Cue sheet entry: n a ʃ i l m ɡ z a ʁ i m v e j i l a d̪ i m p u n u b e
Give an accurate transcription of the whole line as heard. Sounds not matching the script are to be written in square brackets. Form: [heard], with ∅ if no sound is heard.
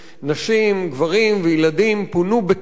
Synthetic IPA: n a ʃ i [∅] m ɡ [v] a ʁ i m v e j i l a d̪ i m p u n u b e

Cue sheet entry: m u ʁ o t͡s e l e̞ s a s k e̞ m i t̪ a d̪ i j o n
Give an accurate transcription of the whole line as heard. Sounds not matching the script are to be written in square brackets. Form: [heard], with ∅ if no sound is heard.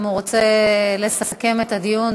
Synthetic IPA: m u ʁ o t͡s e l e̞ s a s k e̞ m [e] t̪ a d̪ i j [u] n

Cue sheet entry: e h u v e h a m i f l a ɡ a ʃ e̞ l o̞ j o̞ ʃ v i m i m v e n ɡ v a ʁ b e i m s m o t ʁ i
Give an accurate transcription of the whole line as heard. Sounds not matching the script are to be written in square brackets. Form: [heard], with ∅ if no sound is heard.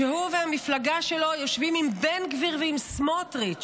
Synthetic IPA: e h u v e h a m i f l a ɡ a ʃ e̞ l o̞ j o̞ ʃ v i m i m [b] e n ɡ v [i] ʁ [v] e i m s m o t ʁ i

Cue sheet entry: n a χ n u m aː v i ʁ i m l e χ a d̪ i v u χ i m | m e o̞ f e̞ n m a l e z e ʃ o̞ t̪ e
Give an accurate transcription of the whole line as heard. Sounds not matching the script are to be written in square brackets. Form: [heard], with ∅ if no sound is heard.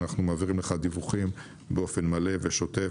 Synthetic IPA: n a χ n u m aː v i ʁ i m l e χ a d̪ i v u χ i m | [b] e o̞ f e̞ n m a l e [v] e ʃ o̞ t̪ e

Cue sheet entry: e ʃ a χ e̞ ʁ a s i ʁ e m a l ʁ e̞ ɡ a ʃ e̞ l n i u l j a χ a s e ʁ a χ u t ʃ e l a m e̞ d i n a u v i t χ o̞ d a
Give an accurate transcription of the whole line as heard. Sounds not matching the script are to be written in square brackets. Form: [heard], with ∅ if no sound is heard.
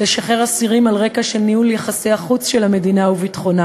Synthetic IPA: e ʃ a χ e̞ ʁ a s i ʁ [i] m a l ʁ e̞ [k] a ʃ e̞ l n i u l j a χ a s e [∅] a χ u [t͡s] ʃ e l a m e̞ d i n a u v i t χ o̞ [n] a

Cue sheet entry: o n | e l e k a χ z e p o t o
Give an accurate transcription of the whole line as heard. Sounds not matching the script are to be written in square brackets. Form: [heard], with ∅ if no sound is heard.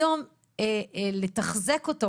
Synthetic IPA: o [m] | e l e [t] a χ z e [k] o t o

